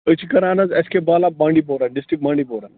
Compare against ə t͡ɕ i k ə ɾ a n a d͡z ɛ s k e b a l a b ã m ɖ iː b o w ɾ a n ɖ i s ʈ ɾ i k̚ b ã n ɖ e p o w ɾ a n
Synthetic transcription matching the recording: ə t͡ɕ i k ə ɾ a n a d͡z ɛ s k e b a l a b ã ɳ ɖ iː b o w ɾ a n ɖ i s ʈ ɾ i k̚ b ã ɳ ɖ i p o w ɾ a n